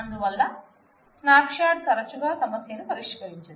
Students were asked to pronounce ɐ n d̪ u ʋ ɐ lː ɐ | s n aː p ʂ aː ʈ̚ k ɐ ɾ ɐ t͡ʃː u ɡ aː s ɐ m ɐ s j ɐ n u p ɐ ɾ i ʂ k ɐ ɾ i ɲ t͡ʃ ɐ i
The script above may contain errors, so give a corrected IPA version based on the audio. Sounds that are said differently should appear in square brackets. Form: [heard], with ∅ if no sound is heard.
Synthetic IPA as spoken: ɐ n d̪ u ʋ ɐ lː ɐ | s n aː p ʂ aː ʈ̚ k ɐ ɾ ɐ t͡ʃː u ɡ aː s ɐ m ɐ s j ɐ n u p ɐ ɾ i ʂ k ɐ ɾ i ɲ t͡ʃ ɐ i